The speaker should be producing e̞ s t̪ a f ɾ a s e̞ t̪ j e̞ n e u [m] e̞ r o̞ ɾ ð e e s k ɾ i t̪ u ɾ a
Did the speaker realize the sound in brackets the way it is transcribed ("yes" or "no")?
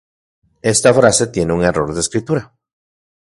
no